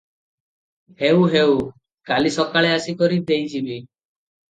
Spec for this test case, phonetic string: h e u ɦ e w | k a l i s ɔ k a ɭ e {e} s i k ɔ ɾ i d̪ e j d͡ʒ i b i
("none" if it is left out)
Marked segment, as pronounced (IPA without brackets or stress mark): a